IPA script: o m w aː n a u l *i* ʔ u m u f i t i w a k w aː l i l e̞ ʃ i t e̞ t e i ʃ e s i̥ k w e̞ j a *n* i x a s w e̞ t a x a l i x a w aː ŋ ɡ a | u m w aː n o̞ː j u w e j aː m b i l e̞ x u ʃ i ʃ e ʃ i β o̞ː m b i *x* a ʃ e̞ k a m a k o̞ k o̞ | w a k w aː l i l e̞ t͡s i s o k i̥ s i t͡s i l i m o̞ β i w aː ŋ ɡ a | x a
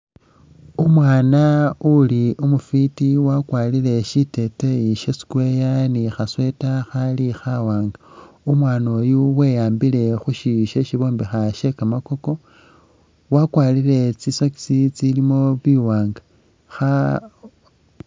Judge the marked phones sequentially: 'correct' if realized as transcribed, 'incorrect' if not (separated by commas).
correct, correct, correct